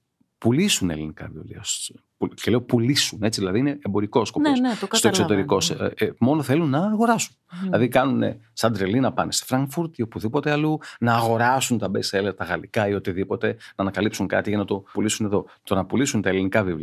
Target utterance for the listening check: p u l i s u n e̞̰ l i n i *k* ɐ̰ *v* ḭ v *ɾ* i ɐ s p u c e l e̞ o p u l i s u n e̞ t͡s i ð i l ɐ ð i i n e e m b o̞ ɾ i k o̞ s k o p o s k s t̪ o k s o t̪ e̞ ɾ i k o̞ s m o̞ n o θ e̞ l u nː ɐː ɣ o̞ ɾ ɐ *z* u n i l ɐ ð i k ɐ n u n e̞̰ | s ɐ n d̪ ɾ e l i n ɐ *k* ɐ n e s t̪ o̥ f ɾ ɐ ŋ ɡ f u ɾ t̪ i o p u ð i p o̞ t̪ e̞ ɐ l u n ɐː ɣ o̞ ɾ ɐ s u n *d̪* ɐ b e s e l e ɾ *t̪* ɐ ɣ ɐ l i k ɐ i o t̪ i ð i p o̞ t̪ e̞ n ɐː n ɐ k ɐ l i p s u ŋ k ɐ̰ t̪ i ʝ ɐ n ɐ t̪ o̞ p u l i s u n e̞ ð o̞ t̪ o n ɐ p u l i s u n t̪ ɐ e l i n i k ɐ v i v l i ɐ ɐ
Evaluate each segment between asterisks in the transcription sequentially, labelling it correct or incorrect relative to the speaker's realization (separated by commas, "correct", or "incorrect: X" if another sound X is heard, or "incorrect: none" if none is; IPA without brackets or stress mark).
correct, correct, incorrect: l, incorrect: s, incorrect: p, incorrect: t̪, correct